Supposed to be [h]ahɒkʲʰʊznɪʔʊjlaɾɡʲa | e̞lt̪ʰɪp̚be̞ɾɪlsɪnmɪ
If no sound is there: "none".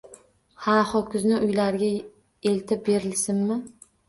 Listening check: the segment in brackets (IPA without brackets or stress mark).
h